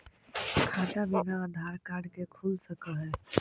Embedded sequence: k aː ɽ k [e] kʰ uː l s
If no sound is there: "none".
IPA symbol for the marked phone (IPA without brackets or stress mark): e